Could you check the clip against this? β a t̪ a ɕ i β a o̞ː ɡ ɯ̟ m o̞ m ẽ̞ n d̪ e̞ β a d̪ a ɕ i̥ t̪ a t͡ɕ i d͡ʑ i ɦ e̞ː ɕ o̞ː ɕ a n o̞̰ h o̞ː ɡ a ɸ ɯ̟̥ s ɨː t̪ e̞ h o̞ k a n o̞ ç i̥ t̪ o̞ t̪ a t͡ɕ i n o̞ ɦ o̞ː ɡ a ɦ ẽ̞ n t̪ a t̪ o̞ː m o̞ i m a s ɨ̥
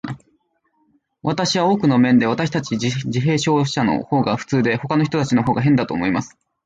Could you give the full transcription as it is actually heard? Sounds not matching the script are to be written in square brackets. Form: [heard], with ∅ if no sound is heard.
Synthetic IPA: β a t̪ a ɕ i β a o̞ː [k] ɯ̟ [n] o̞ m ẽ̞ n d̪ e̞ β a [t̪] a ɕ i̥ t̪ a t͡ɕ i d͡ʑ i ɦ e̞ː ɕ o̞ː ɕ a n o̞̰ h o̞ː ɡ a ɸ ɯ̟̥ [t͡s] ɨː [d̪] e̞ h o̞ k a n o̞ ç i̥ t̪ o̞ t̪ a t͡ɕ i n o̞ ɦ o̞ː ɡ a ɦ ẽ̞ n [d̪] a t̪ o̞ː m o̞ i m a s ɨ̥

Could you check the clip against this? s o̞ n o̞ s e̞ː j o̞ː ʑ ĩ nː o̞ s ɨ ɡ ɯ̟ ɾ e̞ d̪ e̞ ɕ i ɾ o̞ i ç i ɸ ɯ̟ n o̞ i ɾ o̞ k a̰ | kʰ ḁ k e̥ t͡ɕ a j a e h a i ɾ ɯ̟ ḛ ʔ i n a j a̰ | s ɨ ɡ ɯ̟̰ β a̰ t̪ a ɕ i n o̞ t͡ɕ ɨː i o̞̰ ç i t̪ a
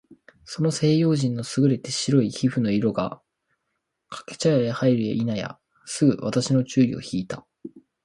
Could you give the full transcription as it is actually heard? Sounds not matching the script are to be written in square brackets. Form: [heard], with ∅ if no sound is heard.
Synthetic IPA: s o̞ n o̞ s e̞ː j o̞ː ʑ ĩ nː o̞ s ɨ ɡ ɯ̟ ɾ e̞ [t̪] e̞ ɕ i ɾ o̞ i ç i ɸ ɯ̟ n o̞ i ɾ o̞ [ɡ] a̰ | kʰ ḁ k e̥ t͡ɕ a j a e h a i ɾ ɯ̟ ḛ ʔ i n a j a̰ | s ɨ ɡ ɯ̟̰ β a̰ t̪ a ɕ i n o̞ t͡ɕ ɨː i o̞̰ ç [iː] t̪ a

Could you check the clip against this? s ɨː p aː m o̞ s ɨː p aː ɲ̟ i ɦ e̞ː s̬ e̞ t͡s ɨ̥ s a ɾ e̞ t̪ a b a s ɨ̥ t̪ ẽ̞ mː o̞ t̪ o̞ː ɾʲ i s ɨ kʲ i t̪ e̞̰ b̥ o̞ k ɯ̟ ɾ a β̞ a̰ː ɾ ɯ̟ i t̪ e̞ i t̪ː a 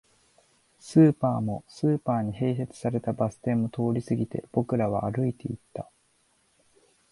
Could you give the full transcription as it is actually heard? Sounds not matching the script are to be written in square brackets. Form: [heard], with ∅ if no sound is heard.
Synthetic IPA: s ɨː p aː m o̞ s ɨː p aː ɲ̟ i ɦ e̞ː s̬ e̞ t͡s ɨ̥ s a ɾ e̞ t̪ a b a s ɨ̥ t̪ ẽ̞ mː o̞ t̪ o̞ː ɾʲ i s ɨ [ɡʲ] i t̪ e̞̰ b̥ o̞ k ɯ̟ ɾ a β̞ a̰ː ɾ ɯ̟ i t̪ e̞ i t̪ː a

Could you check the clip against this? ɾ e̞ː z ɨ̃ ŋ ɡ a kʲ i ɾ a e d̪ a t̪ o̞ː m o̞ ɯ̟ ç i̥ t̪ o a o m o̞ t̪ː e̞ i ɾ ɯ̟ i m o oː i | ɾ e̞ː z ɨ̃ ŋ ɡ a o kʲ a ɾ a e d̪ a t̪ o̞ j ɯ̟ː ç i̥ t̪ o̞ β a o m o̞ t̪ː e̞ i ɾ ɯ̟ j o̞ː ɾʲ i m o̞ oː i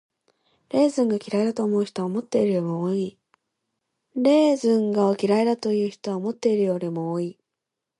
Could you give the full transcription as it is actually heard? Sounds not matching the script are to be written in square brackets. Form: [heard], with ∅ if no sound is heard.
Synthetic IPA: ɾ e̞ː z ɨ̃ ŋ ɡ a kʲ i ɾ a e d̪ a t̪ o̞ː m o̞ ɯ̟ ç i̥ t̪ o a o m o̞ t̪ː e̞ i ɾ ɯ̟ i m o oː i | ɾ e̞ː z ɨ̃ ŋ ɡ a o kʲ [i] ɾ a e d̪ a t̪ o̞ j ɯ̟ː ç i̥ t̪ o̞ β a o m o̞ t̪ː e̞ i ɾ ɯ̟ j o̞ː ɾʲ i m o̞ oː i

